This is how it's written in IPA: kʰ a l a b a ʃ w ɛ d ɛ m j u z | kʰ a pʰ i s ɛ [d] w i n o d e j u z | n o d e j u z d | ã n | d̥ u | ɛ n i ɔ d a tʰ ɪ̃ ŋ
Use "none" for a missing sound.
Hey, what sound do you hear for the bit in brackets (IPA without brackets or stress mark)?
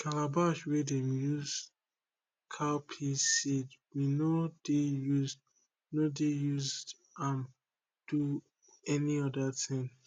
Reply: d